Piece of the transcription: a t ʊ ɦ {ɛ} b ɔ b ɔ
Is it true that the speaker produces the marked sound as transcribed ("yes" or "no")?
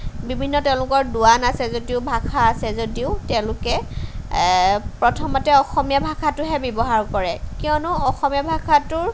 yes